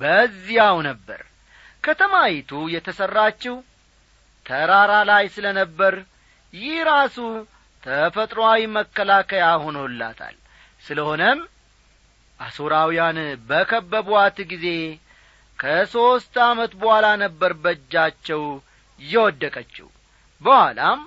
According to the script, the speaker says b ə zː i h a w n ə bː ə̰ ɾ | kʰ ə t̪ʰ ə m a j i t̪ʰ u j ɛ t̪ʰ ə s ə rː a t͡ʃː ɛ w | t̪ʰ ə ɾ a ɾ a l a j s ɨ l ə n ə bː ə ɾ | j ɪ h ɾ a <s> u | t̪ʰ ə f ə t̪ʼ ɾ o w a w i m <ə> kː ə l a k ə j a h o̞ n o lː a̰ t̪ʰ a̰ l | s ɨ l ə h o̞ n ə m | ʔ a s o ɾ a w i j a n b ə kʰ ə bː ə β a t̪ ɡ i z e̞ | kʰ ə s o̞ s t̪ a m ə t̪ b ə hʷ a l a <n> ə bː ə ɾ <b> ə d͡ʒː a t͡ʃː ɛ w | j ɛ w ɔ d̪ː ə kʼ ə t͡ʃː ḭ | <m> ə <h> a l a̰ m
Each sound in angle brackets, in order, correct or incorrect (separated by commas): correct, correct, correct, correct, incorrect, correct